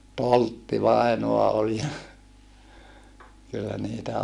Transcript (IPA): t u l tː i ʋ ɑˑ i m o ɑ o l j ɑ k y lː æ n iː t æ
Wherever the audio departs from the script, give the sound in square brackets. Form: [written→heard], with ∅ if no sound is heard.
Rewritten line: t [u→o] l tː i ʋ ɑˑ i [m→n] o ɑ o l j ɑ k y lː æ n iː t æ

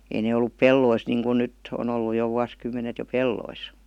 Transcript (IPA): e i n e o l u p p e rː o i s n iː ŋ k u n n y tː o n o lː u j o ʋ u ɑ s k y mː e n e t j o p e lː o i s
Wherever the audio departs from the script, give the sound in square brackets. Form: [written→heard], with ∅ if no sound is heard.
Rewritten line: e i n e o [l→lː] u p p e [rː→lː] o i s n iː ŋ k u n n y tː o n o lː u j o ʋ u ɑ s k y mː e n e t j o p e lː o i s

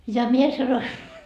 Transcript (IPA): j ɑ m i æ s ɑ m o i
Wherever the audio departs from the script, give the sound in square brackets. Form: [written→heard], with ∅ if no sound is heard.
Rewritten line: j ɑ m i [æ→e] s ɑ [m→n] o i

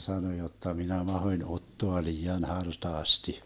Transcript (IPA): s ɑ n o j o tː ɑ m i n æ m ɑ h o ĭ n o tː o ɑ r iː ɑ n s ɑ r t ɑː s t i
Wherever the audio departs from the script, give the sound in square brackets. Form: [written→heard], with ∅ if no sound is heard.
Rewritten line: s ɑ n o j o tː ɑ m i n æ m ɑ h o ĭ n o tː o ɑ [r→l] iː ɑ n [s→h] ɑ r t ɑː s t i

